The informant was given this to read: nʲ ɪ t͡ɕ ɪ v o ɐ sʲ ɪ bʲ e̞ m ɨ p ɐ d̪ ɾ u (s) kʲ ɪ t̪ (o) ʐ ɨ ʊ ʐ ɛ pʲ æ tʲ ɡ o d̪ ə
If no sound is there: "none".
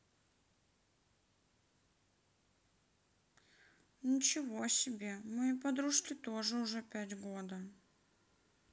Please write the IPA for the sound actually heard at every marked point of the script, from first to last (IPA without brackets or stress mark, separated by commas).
ʂ, o